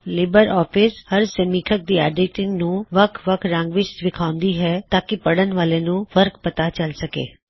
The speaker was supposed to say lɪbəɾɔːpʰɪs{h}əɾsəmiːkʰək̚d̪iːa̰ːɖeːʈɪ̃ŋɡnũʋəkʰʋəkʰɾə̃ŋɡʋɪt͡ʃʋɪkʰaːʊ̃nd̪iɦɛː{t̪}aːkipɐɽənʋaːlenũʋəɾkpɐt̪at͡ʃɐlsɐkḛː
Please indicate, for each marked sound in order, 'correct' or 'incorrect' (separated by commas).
correct, correct